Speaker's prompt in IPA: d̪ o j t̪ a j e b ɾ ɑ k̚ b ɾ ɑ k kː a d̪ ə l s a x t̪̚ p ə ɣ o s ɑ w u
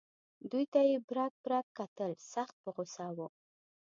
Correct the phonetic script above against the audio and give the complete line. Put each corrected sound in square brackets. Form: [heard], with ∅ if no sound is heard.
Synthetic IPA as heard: d̪ [u] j t̪ a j e b ɾ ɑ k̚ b ɾ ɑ k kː a [t̪] ə l s a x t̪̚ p ə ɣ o s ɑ w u

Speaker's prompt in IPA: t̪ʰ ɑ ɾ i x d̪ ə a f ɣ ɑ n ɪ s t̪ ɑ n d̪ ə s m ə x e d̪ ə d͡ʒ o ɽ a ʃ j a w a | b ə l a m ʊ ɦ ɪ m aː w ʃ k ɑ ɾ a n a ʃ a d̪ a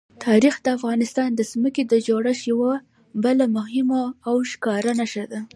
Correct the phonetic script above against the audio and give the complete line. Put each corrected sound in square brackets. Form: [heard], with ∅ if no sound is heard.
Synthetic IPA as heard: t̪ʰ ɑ ɾ i x d̪ ə a f ɣ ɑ n ɪ s t̪ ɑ n d̪ ə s m ə [k] e d̪ ə d͡ʒ o ɽ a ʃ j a w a | b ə l a m ʊ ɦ ɪ m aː w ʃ k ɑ ɾ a n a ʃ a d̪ a

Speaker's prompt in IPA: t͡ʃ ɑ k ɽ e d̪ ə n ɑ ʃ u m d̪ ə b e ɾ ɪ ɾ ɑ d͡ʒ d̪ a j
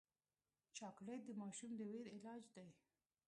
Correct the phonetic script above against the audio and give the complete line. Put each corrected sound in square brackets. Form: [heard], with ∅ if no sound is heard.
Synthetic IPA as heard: t͡ʃ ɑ k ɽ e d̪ ə [m] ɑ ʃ u m d̪ ə [w] e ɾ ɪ [l] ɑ d͡ʒ d̪ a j

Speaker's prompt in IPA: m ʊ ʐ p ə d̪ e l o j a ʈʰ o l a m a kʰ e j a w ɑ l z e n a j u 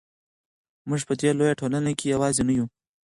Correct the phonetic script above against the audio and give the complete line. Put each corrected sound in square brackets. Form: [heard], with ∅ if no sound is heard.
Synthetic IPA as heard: m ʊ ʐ p ə d̪ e l o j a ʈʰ o l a [n] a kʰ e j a w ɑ [∅] z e n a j u

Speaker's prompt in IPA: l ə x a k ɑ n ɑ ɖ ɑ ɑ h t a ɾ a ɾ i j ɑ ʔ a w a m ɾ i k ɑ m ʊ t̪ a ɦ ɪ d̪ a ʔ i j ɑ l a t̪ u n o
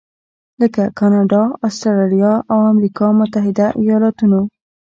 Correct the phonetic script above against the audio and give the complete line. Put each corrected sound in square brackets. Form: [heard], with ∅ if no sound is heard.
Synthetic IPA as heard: l ə [k] a k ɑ n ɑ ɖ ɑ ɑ [s] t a ɾ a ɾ i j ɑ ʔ a w a m ɾ i k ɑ m ʊ t̪ a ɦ ɪ d̪ a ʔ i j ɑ l [ɑ] t̪ u n o

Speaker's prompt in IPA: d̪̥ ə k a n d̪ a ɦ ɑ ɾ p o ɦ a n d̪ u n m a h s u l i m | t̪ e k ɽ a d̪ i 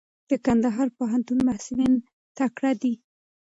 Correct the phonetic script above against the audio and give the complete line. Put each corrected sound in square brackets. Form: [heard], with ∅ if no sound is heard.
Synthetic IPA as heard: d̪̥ ə k a n d̪ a ɦ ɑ ɾ p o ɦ a n [t̪] u n m a h s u l i [n] | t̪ [a] k ɽ a d̪ i

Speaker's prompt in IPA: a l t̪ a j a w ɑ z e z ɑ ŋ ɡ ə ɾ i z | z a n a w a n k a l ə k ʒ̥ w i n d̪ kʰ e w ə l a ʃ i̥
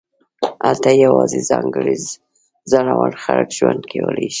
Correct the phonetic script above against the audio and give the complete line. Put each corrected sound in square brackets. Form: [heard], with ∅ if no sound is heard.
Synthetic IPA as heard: a l t̪ a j a w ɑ z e z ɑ ŋ ɡ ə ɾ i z | z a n a w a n [x] a l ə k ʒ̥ w [a] n d̪ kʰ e w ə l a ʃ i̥

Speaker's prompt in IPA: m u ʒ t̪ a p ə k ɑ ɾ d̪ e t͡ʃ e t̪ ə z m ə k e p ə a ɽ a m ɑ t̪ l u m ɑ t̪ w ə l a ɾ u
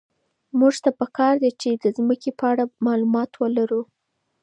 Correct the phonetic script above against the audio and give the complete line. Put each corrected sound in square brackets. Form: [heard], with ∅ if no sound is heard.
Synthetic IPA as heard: m u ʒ t̪ a p ə k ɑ ɾ d̪ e t͡ʃ e [d̪] ə z m ə k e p ə a ɽ a m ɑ [∅] l u m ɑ t̪ w ə l a ɾ u

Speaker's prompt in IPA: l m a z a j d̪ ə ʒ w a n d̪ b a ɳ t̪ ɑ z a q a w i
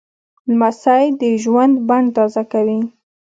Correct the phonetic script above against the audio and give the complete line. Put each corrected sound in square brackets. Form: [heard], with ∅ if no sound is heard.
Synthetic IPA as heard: l m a [s] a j d̪ ə ʒ w a n d̪ b a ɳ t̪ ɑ z a [k] a w i

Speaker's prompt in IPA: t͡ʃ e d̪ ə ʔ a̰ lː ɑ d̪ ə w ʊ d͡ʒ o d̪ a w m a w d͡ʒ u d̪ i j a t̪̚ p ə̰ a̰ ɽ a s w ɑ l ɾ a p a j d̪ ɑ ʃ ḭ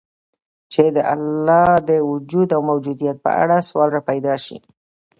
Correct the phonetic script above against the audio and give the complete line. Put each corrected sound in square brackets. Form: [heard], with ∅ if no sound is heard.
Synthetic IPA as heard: t͡ʃ e d̪ ə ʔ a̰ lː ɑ d̪ ə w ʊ d͡ʒ [u] d̪ a w m a w d͡ʒ u d̪ i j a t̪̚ p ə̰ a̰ ɽ a s w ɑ l ɾ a p a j d̪ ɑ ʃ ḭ

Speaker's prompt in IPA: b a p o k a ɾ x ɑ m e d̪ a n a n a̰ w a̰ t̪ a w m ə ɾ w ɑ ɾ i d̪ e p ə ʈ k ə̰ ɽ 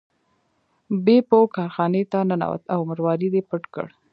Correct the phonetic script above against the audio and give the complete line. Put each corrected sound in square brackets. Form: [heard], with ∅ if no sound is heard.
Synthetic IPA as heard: b [e] p o k [ɑ] ɾ x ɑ [n] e [t̪] a n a n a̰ w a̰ t̪ a w m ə ɾ w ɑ ɾ i d̪ e p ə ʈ k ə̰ ɽ

